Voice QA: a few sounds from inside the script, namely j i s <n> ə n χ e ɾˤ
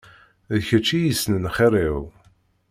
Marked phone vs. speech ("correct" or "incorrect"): correct